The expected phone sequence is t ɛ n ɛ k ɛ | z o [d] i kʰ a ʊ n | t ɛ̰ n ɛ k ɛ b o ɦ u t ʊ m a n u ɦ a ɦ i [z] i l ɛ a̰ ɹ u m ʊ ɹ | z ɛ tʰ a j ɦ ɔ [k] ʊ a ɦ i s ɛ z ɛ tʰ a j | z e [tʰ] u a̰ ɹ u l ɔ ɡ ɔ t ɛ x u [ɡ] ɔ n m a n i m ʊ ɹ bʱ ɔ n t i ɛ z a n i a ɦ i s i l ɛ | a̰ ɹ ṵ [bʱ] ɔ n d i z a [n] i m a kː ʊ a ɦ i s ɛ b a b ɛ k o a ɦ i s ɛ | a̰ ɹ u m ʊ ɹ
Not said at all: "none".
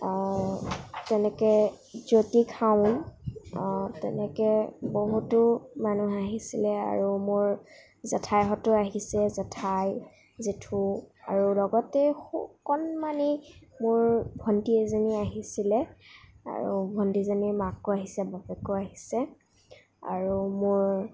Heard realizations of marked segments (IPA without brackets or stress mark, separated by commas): t, s, t, tʰ, k, bʱ, n